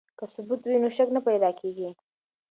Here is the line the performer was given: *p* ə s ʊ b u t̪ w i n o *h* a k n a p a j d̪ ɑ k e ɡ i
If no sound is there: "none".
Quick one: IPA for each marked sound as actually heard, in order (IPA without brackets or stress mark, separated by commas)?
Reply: k, ʃ